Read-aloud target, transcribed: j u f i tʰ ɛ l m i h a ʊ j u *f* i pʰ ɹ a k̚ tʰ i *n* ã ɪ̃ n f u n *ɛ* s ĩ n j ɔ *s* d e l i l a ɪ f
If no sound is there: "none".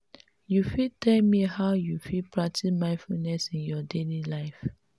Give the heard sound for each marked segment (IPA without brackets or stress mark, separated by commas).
f, m, ɛ, none